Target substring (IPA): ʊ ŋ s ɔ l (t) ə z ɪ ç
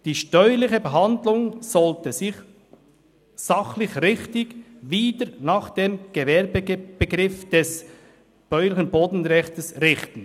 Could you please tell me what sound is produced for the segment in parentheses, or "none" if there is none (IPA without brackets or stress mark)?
t